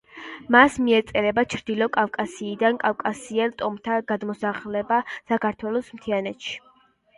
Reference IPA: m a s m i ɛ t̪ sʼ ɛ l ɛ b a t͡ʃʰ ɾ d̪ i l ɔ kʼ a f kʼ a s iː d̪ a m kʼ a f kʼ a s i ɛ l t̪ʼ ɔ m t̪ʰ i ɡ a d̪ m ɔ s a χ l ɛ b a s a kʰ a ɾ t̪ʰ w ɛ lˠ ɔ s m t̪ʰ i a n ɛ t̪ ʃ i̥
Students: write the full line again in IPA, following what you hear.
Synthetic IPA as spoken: m a s m i ɛ t̪ sʼ ɛ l ɛ b a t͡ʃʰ ɾ d̪ i l ɔ kʼ a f kʼ a s iː d̪ a n kʼ a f kʼ a s i ɛ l t̪ʼ ɔ m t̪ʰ a ɡ a d̪ m ɔ s a χ l ɛ b a s a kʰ a ɾ t̪ʰ w ɛ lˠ ɔ s m t̪ʰ i a n ɛ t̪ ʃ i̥